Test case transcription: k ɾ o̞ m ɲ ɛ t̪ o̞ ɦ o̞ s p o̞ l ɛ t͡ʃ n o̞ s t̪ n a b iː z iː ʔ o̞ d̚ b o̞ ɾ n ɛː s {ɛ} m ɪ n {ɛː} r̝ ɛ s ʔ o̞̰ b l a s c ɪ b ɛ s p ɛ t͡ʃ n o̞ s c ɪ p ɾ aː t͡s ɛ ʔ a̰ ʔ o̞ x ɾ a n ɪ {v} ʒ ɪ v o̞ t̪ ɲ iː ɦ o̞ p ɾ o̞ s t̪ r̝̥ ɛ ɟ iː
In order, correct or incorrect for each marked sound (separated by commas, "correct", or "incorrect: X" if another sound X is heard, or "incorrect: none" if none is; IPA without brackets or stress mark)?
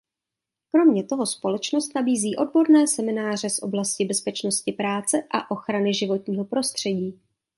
correct, incorrect: aː, incorrect: none